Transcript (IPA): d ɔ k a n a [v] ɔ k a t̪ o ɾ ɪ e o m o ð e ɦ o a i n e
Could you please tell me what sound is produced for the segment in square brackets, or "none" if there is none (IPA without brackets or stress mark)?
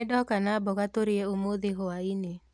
b